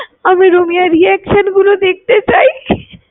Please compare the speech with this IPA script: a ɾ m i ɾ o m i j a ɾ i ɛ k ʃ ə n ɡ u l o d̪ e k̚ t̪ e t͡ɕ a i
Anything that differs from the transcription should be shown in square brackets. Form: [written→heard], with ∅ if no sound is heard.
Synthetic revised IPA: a [ɾ→∅] m i ɾ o m i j a ɾ i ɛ k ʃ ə n ɡ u l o d̪ e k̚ t̪ e t͡ɕ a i